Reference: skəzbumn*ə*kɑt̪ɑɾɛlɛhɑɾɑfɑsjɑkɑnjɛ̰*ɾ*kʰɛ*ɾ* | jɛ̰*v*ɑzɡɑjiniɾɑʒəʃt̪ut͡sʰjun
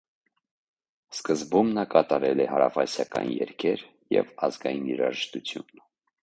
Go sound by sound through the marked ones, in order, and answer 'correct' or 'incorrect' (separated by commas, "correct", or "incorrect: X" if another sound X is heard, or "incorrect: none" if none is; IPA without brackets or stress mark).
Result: incorrect: ɑ, correct, correct, correct